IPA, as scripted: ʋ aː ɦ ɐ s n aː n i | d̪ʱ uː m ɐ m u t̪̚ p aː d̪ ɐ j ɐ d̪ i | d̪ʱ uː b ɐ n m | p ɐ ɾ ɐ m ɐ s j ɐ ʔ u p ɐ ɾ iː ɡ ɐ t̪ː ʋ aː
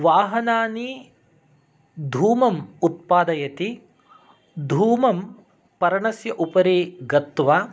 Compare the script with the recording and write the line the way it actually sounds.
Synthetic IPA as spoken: ʋ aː ɦ ɐ n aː n i | d̪ʱ uː m ɐ m u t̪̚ p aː d̪ ɐ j ɐ t̪ i | d̪ʱ uː m ɐ m | p ɐ ɾ ɐ ɳ ɐ s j ɐ ʔ u p ɐ ɾ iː ɡ ɐ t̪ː ʋ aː